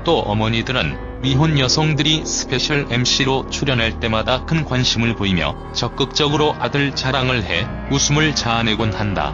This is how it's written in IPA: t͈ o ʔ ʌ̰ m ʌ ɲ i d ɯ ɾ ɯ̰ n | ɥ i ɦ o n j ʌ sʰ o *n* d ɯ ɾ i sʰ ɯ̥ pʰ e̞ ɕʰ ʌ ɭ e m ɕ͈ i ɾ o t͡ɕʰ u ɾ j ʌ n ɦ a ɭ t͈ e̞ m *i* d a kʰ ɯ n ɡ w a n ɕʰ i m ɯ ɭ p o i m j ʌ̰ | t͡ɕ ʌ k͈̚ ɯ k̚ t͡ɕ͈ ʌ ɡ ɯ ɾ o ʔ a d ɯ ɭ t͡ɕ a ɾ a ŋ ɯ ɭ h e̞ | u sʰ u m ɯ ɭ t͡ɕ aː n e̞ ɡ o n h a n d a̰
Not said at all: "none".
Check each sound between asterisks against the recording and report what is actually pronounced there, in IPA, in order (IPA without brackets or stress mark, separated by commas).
ŋ, a